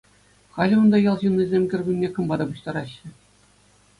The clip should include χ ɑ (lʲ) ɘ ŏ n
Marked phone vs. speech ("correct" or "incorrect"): correct